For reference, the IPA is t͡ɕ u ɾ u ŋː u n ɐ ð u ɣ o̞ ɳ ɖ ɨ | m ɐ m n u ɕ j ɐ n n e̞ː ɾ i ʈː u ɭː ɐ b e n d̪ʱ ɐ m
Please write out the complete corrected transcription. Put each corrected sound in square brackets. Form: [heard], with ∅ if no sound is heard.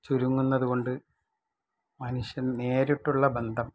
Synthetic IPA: t͡ɕ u ɾ u ŋː u [nː] ɐ ð u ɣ o̞ ɳ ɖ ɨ | m ɐ [∅] n u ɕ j ɐ n n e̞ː ɾ i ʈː u ɭː ɐ b e n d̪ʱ ɐ m